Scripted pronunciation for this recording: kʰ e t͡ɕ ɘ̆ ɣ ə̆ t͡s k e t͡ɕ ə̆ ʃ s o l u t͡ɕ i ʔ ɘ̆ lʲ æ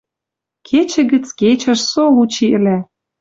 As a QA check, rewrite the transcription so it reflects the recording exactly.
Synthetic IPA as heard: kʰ e t͡ɕ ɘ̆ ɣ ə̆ t͡s k e t͡ɕ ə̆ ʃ s o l u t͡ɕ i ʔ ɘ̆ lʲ æ